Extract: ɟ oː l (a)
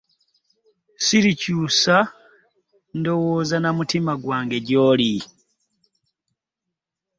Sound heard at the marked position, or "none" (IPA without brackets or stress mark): i